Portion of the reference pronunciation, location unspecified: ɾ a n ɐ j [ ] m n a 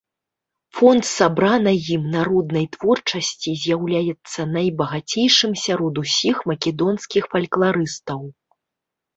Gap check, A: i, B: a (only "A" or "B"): A